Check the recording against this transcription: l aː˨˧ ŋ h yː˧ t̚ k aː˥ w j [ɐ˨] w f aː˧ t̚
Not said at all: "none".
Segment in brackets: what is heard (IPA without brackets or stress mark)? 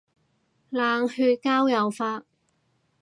ɐ˨